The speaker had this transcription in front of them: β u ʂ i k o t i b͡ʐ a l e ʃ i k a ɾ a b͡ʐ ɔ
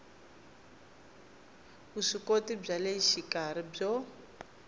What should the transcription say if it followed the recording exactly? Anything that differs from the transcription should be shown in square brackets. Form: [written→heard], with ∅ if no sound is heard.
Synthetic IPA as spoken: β u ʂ i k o t i b͡ʐ a l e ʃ i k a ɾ [a→i] b͡ʐ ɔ